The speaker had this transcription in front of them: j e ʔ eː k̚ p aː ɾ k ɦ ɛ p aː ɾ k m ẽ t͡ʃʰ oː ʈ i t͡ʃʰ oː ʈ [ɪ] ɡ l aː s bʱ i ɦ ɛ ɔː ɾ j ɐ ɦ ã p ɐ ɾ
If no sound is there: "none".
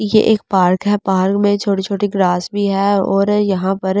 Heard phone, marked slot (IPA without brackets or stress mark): i